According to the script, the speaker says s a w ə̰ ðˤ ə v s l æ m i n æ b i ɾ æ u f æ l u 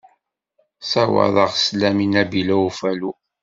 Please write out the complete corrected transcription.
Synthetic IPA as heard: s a w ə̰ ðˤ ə ʁ s l æ m i n æ b i l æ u f æ l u